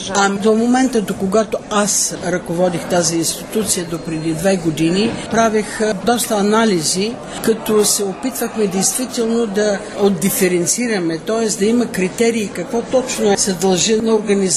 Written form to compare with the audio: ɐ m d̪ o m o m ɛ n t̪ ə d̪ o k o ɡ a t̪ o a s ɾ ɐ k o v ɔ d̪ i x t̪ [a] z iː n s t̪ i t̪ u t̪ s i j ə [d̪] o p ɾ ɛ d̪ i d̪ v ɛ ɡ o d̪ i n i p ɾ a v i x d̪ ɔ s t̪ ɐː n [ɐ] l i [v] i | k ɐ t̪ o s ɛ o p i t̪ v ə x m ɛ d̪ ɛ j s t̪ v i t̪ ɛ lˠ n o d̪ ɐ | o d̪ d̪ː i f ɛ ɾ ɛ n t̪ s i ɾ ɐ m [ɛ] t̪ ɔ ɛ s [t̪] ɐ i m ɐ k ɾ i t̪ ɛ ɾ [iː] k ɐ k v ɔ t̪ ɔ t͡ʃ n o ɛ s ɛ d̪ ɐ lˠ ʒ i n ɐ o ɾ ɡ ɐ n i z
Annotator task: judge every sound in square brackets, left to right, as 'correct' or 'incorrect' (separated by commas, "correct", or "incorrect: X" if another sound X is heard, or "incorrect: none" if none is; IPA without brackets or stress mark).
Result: correct, correct, incorrect: a, incorrect: z, correct, incorrect: d̪, correct